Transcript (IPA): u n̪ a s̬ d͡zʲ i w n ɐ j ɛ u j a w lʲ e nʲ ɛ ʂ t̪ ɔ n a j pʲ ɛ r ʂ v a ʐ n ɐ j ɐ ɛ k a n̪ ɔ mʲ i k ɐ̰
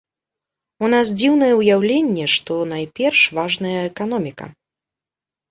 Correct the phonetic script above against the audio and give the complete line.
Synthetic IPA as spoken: u n̪ a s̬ d͡zʲ i w n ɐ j ɛ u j a w lʲ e nʲː ɛ ʂ t̪ ɔ n a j pʲ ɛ r ʂ v a ʐ n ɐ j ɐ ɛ k a n̪ ɔ mʲ i k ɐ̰